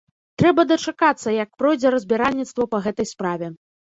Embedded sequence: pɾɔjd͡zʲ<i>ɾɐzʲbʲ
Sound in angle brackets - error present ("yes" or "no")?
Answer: yes